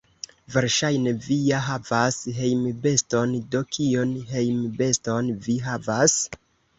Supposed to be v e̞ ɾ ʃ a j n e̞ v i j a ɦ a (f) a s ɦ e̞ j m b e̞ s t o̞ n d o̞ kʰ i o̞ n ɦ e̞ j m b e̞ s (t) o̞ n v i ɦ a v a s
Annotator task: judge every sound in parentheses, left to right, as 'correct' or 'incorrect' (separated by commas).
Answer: incorrect, correct